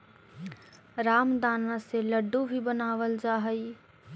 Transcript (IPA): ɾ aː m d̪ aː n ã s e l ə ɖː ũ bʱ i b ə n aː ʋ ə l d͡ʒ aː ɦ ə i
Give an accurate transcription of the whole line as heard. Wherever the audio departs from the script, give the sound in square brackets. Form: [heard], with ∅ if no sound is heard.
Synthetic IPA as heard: ɾ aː m d̪ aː n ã s e l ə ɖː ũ bʱ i b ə n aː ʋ ə l d͡ʒ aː ɦ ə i

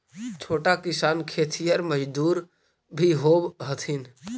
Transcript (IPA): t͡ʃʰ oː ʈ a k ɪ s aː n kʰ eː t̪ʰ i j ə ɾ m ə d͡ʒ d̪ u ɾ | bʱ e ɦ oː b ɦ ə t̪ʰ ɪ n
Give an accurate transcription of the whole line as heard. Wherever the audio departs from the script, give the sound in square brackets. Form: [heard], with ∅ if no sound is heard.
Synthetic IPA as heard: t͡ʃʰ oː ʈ a k ɪ s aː n kʰ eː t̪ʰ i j ə ɾ m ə d͡ʒ d̪ [uː] ɾ | bʱ [i] ɦ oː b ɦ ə t̪ʰ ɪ n

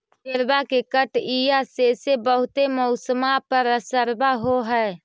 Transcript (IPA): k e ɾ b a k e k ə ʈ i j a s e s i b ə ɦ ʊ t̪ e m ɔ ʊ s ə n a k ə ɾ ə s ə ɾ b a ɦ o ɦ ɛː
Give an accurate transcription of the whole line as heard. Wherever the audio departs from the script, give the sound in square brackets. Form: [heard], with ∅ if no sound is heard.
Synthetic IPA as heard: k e ɾ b a k e k ə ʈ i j a s e s [e] b ə ɦ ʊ t̪ e m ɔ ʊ s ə [m] a [p] ə ɾ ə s ə ɾ b a ɦ o ɦ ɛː

